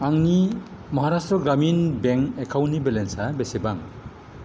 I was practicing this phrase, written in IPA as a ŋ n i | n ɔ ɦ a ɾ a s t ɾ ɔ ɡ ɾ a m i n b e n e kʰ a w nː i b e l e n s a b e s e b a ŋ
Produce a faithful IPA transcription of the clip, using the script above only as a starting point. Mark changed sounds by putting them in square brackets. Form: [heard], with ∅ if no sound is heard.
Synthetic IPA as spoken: a ŋ n i | [m] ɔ ɦ a ɾ a s t ɾ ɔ ɡ ɾ a m i n b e [ŋ] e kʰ a w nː i b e l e n s a b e s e b a ŋ